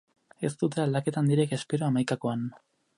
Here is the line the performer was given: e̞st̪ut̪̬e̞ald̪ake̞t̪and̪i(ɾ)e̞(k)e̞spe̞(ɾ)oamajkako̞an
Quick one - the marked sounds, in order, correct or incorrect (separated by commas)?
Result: correct, correct, correct